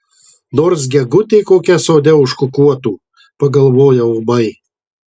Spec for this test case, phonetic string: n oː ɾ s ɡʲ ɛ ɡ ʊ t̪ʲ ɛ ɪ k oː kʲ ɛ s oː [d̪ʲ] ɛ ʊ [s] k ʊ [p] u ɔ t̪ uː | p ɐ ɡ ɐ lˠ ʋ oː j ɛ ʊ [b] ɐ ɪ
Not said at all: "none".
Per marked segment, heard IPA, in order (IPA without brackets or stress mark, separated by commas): d̪ʲ, ʃ, k, b